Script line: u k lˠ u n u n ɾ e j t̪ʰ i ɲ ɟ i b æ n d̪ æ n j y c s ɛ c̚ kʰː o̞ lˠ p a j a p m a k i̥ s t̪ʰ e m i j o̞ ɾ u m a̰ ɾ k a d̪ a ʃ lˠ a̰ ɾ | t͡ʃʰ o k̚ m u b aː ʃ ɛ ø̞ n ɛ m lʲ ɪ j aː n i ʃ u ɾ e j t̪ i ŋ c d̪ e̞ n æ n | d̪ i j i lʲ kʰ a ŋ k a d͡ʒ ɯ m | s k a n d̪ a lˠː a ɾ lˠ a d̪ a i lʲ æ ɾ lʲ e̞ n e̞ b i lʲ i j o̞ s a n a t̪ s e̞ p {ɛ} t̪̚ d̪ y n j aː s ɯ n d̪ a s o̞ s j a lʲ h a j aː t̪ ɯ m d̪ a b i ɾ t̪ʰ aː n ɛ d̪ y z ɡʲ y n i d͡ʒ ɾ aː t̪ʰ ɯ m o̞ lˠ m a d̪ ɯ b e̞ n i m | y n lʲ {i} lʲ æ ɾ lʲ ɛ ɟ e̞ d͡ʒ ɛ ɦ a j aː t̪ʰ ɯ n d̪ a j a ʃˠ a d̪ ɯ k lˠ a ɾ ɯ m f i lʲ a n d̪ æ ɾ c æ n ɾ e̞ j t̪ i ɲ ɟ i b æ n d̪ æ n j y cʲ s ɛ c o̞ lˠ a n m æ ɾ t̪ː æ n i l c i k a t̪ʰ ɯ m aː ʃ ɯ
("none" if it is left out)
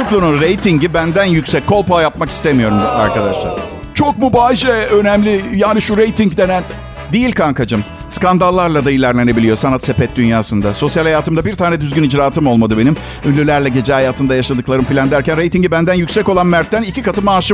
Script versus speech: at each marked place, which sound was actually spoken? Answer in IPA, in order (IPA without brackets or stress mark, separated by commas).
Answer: ɛ, y